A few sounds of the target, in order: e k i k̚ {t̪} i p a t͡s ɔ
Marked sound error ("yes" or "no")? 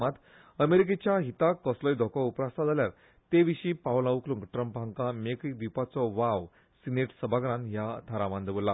yes